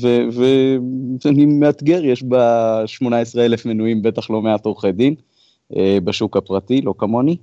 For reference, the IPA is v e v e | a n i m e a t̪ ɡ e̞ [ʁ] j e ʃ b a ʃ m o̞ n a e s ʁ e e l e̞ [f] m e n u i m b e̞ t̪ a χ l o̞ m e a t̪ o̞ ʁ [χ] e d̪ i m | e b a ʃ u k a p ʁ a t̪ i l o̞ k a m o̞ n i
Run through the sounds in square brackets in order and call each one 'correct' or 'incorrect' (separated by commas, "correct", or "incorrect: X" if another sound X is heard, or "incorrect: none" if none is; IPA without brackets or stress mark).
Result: correct, correct, correct